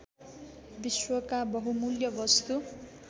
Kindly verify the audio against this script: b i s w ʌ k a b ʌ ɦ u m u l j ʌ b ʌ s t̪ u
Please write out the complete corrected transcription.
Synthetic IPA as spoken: b i s w ʌ k a b ʌ ɦ u m u l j ʌ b ʌ s t̪ u